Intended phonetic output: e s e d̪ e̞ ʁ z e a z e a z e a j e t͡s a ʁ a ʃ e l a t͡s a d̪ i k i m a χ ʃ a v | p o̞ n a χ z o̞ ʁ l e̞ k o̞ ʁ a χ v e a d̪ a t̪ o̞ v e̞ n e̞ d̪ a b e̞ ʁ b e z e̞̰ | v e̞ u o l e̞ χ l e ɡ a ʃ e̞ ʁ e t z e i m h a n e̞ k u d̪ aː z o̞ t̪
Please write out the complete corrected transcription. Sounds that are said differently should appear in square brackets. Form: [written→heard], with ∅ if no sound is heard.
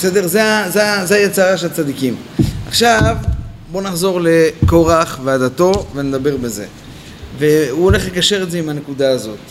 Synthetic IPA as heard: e s e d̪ e̞ ʁ z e a z e a z e a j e t͡s a ʁ a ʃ e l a t͡s a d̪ i k i m a χ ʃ a v | [p→b] o̞ n a χ z o̞ ʁ l e̞ k o̞ ʁ a χ v e a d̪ a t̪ o̞ v e̞ n e̞ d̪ a b e̞ ʁ b e z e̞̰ | v e̞ u o l e̞ χ l e [ɡ→k] a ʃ e̞ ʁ e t z e i m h a n e̞ k u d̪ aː z o̞ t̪